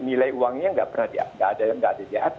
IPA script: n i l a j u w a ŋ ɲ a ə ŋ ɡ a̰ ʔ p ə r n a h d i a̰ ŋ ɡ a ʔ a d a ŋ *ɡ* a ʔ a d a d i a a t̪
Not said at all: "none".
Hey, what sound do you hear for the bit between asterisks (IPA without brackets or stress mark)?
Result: ɡ